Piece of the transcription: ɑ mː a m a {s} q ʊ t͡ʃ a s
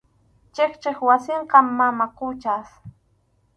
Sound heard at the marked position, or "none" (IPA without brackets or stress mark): none